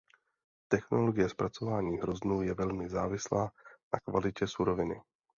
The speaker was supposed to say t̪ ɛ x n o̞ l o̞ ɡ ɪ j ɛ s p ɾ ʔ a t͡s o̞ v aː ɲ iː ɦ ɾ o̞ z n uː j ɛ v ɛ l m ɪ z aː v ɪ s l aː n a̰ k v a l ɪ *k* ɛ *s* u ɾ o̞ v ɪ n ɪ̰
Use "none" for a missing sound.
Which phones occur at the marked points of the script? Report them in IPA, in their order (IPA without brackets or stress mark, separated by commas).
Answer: c, s